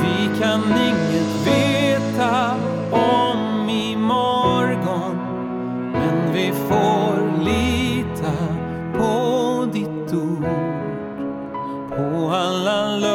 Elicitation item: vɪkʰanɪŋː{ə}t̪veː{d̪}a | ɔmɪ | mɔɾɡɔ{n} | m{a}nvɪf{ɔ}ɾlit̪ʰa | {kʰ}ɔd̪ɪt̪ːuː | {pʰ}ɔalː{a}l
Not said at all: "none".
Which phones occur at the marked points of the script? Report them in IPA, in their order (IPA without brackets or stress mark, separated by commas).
ə, t̪, n, ɛ, o, pʰ, pʰ, a